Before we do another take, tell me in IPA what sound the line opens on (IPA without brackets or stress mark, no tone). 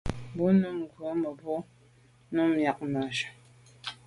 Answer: b